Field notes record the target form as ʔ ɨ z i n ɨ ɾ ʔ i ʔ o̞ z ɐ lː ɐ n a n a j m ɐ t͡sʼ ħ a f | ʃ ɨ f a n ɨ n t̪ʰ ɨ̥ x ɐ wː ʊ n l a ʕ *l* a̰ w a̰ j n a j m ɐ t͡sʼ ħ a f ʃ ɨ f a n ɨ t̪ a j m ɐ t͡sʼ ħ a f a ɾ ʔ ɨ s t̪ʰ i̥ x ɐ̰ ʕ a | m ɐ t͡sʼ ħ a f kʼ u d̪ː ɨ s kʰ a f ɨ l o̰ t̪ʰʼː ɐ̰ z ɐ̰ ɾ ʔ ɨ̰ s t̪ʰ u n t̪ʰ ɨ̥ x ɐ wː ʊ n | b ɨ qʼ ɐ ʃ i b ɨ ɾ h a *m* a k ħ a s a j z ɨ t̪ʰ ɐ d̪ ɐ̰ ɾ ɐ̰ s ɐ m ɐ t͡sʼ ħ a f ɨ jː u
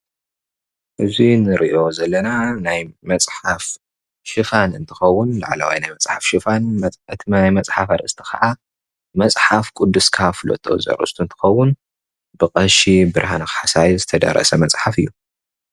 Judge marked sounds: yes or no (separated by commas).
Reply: yes, no